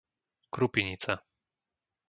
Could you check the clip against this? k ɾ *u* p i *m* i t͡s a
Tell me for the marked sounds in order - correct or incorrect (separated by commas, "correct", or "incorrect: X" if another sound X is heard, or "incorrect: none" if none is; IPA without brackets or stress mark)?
correct, incorrect: ɲ